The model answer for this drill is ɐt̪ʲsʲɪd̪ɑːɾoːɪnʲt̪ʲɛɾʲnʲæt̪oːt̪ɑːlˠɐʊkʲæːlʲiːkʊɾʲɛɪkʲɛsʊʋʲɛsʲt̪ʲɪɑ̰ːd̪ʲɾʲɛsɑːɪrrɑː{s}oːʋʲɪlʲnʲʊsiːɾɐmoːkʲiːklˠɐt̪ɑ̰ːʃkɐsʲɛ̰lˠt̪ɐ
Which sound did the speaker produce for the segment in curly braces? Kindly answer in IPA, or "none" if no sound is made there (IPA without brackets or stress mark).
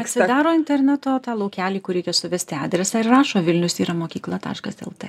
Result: ʃ